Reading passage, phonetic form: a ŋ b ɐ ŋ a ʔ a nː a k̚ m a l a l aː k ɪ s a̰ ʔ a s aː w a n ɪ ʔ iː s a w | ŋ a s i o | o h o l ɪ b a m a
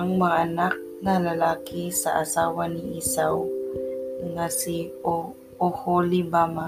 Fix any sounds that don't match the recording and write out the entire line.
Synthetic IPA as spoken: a ŋ m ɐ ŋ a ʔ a n a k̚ n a l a l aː k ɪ s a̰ ʔ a s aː w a n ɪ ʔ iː s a w | ŋ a s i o | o h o l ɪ b a m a